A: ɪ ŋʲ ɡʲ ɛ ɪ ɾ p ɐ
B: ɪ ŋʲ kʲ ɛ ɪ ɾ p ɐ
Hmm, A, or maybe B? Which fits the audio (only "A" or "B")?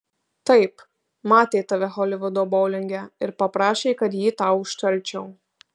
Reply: A